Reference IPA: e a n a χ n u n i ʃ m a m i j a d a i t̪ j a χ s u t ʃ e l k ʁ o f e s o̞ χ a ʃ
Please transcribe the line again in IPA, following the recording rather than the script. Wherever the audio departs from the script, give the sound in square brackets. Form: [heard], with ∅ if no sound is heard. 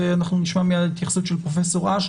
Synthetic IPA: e a n a χ n u n i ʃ m a m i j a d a i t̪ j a χ s u t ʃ e l [p] ʁ o f e s o̞ [ʁ] a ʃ

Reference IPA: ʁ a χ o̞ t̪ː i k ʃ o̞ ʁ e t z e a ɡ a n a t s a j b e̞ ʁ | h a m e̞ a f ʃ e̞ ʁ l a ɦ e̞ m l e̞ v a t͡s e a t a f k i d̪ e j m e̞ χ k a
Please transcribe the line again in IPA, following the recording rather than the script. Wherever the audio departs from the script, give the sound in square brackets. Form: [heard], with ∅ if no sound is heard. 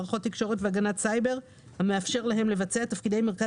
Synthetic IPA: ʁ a χ o̞ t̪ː i k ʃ o̞ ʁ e t [v] e a ɡ a n a t s a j b e̞ ʁ | h a m e̞ a f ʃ e̞ ʁ l a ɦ e̞ m l e̞ v a t͡s e a t a f k i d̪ e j m e̞ [ʁ] k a

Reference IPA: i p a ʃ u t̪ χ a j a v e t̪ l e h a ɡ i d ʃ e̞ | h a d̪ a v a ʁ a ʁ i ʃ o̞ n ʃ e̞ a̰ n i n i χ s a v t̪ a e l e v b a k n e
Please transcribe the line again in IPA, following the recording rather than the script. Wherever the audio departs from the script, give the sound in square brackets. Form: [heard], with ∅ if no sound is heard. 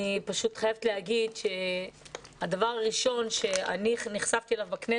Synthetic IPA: i p a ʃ u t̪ χ a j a v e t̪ l e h a ɡ i d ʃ e̞ | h a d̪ a v a ʁ a ʁ i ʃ o̞ n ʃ e̞ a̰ n i n i χ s a v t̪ [i] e l [a] v b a k n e

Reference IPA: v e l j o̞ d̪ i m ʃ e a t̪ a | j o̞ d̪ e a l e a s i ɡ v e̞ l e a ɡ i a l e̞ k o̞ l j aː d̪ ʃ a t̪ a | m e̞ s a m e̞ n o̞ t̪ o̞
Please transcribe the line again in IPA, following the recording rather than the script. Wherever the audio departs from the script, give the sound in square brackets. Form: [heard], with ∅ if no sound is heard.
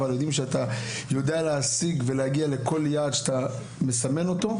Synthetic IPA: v [a] l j o̞ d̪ i m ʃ e a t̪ a | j o̞ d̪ e a l e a s i ɡ v e̞ l e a ɡ i a l e̞ k o̞ l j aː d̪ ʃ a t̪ a | m e̞ s a m e̞ n o̞ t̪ o̞

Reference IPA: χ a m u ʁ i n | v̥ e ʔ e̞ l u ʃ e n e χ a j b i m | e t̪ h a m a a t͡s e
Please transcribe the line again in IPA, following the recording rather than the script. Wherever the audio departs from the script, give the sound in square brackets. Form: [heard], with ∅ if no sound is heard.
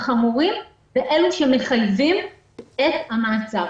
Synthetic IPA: χ a m u ʁ i [m] | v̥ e ʔ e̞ l u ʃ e [m] e χ a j [v] i m | e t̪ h a m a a t͡s [a]

